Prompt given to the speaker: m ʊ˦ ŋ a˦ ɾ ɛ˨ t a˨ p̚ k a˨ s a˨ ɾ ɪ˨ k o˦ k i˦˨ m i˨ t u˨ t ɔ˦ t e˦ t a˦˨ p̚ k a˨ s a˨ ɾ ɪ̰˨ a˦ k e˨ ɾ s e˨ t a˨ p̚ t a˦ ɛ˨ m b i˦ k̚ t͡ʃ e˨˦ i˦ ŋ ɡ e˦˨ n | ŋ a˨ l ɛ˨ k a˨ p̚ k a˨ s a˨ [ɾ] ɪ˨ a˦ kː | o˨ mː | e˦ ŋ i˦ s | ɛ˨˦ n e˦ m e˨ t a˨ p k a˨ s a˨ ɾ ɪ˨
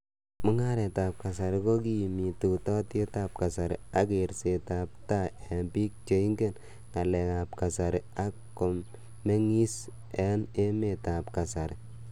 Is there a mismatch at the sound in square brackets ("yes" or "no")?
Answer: no